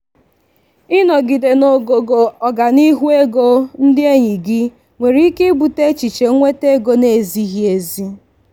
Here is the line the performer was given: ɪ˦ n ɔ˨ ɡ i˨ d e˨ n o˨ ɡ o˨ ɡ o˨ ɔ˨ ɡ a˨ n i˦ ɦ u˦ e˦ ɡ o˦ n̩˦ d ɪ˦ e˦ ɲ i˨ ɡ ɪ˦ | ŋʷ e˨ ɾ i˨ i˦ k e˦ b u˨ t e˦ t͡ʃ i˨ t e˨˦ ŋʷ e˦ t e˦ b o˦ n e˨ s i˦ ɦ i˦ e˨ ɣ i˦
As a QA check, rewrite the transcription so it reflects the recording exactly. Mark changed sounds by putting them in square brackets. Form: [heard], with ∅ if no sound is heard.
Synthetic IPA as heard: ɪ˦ n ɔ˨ ɡ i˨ d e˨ n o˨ ɡ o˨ ɡ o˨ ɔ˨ ɡ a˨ n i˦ ɦ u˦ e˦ ɡ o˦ n̩˦ d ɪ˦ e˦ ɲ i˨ ɡ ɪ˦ | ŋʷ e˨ ɾ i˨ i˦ k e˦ b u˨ t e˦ t͡ʃ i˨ [t͡ʃ] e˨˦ ŋʷ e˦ t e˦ [ɡ] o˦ n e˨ [z] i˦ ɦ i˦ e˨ [z] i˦